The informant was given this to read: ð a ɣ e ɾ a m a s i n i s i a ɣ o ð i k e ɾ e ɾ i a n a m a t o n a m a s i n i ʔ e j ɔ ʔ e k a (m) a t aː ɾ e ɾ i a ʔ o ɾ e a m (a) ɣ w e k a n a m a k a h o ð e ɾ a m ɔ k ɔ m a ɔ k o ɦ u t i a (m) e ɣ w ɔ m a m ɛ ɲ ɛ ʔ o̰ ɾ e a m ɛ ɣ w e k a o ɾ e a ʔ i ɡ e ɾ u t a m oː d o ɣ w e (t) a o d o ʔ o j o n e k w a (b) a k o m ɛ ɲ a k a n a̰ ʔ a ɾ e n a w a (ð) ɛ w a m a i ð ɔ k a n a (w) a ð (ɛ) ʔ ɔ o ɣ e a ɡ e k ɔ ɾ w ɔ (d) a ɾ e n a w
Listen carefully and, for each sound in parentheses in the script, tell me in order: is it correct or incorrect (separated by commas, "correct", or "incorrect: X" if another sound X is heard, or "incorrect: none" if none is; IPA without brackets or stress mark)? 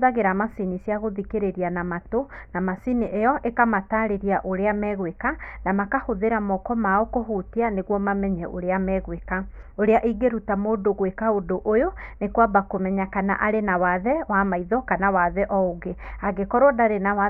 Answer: correct, incorrect: ɛ, incorrect: n, incorrect: k, correct, correct, correct, correct, correct